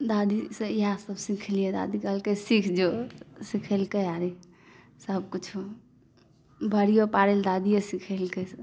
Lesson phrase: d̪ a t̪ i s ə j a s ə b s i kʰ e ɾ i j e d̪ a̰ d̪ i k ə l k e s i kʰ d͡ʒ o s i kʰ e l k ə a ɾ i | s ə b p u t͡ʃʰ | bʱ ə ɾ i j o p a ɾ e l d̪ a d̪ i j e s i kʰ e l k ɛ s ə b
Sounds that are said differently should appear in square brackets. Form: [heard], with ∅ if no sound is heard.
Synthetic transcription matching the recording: d̪ a [d̪] i s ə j a s ə b s i kʰ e [l] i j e d̪ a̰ d̪ i k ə l k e s i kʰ d͡ʒ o s i kʰ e l k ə a ɾ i | s ə b [k] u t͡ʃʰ | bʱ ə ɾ i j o p a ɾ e l d̪ a d̪ i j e s i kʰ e l k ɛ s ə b

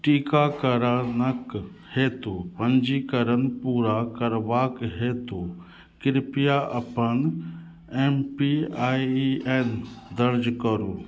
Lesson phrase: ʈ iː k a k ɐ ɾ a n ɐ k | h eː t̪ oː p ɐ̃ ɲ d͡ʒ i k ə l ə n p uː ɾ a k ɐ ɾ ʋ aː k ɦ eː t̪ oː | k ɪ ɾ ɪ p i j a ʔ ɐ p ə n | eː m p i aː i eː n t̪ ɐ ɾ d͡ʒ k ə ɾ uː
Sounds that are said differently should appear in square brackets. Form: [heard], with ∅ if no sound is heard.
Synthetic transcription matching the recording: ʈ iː k a k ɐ ɾ a n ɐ k | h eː t̪ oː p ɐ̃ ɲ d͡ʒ i k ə [ɾ] ə n p uː ɾ a k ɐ ɾ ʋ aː k ɦ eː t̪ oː | k ɪ ɾ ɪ p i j a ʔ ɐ p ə n | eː m p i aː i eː n [d̪] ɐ ɾ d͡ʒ k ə ɾ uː

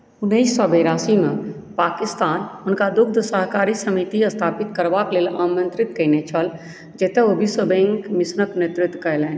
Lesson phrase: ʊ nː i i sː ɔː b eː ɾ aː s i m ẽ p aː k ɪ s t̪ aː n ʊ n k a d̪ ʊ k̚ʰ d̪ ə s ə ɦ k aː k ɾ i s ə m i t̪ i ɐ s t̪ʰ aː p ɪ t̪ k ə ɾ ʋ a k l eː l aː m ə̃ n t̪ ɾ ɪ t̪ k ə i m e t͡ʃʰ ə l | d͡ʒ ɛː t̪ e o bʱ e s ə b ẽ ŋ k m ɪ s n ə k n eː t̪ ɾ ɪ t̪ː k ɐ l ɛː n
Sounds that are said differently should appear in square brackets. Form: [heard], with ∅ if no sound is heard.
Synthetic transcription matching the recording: ʊ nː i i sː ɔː b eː ɾ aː s i m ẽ p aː k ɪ s t̪ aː n ʊ n k a d̪ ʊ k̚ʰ d̪ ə s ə ɦ k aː [∅] ɾ i s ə m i t̪ i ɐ s t̪ʰ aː p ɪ t̪ k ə ɾ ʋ a k l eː l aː m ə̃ n t̪ ɾ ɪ t̪ k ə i [n] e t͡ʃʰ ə l | d͡ʒ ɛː t̪ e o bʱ [i] s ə b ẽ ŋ k m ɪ s n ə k n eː t̪ ɾ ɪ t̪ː k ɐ l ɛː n

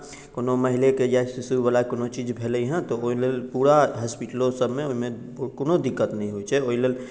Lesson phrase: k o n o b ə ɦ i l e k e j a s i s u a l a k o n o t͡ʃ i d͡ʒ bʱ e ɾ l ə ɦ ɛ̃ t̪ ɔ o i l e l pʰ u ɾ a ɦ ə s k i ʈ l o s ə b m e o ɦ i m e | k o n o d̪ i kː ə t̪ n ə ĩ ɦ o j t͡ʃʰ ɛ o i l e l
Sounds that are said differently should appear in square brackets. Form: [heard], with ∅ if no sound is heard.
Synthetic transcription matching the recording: k o n o [m] ə ɦ i l e k e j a s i s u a l a k o n o t͡ʃ i d͡ʒ bʱ e [∅] l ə ɦ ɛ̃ t̪ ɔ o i l e l [p] u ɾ a ɦ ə s [p] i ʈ l o s ə b m e o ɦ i m e | k o n o d̪ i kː ə t̪ n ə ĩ ɦ o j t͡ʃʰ ɛ o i l e l

